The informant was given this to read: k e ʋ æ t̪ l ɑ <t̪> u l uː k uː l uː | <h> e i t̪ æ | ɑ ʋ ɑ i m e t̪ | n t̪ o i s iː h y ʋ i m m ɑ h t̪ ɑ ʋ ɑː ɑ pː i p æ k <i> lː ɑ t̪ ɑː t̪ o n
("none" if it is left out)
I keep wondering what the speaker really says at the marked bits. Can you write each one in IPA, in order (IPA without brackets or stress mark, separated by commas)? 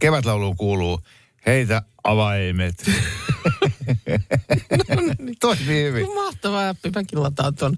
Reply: none, h, i